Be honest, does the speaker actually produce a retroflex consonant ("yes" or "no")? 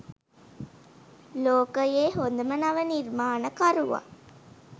no